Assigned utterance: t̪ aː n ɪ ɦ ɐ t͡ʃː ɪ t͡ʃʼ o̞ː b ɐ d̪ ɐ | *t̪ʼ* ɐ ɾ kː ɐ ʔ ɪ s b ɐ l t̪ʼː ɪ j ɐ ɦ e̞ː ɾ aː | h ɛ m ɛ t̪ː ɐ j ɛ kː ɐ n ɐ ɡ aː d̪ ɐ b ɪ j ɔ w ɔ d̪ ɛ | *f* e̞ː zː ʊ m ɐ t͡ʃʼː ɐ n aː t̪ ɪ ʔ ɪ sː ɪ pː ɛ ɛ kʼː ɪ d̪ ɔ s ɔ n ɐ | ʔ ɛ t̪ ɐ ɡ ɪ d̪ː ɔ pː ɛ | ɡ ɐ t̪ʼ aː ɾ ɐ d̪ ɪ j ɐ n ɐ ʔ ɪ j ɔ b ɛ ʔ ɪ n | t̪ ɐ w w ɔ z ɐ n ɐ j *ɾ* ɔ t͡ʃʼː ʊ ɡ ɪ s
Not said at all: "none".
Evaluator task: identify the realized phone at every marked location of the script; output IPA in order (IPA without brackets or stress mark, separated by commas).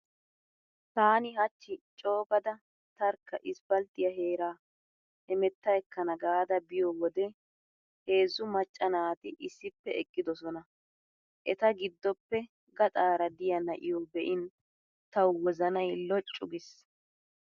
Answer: t̪, h, l